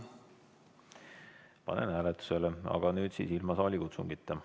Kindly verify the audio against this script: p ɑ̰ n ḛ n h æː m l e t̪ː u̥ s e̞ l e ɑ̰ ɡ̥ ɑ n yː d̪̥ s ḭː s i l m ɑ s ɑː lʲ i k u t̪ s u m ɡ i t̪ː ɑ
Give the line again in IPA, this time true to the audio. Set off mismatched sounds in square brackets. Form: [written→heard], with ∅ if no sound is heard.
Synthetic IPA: p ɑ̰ n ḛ n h æː [m→∅] l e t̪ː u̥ s e̞ l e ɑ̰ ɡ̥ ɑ n yː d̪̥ s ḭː s i l m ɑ s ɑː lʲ i k u t̪ s u [m→ŋ] ɡ i t̪ː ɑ